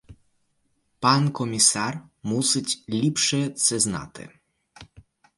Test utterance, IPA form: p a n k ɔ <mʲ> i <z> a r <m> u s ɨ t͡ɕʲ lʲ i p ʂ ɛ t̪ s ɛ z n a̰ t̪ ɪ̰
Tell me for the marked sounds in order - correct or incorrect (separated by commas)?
correct, incorrect, correct